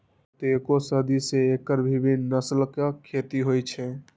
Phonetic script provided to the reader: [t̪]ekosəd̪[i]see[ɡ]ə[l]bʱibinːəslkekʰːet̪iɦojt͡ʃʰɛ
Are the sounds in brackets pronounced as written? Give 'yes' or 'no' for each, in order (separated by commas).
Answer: yes, yes, no, no